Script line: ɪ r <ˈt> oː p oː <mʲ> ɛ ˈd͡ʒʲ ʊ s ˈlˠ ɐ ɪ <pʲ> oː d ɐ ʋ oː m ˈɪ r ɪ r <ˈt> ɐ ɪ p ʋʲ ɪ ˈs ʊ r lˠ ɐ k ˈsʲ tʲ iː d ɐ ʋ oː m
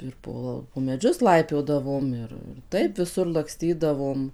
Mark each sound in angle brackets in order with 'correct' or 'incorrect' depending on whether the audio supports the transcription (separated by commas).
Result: incorrect, correct, correct, correct